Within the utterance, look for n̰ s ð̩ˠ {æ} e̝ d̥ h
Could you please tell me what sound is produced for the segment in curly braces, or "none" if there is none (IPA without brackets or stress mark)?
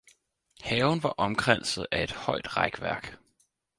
æ